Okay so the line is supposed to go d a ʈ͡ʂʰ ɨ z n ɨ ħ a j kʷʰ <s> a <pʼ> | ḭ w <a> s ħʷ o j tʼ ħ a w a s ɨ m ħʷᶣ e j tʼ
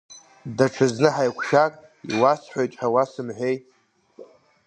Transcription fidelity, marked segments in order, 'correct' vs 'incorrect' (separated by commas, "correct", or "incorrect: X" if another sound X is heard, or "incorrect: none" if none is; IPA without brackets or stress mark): incorrect: ʃ, incorrect: kʼ, correct